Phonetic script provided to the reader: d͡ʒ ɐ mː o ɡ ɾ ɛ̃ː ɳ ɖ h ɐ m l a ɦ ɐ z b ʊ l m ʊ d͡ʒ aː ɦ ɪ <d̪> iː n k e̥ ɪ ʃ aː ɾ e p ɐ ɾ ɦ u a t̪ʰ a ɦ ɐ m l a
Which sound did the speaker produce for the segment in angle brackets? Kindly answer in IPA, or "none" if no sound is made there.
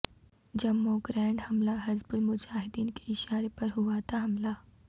d̪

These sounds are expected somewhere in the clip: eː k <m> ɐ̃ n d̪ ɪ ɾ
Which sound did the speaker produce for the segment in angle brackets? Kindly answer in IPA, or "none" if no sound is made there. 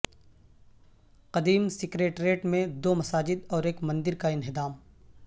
m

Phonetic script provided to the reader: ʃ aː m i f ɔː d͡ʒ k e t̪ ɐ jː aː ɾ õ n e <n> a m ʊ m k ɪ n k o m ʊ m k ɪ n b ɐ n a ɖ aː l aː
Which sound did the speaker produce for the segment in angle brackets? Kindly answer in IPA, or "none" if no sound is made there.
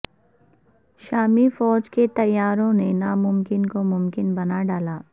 n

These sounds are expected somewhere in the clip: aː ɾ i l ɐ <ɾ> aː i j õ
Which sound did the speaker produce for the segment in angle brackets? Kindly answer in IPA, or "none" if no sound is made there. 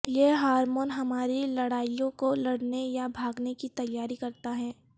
ɽ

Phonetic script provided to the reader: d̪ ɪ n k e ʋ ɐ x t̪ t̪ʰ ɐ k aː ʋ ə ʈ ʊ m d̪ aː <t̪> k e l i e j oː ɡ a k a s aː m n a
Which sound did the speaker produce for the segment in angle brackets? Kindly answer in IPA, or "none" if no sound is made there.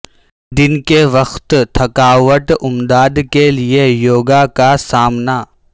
d̪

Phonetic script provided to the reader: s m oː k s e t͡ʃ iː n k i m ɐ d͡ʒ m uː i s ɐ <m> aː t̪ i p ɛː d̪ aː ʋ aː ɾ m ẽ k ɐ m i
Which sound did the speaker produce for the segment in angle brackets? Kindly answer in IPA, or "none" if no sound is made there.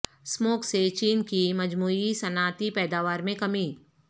n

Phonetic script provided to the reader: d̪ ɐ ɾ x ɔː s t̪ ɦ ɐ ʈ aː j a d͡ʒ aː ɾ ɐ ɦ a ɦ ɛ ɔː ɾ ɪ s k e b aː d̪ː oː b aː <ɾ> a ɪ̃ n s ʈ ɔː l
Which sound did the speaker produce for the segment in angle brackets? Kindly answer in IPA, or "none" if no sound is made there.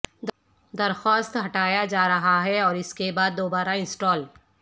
ɾ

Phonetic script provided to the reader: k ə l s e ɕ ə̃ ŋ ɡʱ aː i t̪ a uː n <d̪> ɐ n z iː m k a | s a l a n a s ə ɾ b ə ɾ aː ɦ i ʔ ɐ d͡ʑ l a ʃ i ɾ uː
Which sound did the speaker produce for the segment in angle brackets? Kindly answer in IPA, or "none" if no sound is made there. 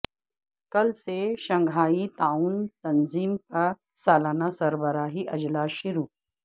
t̪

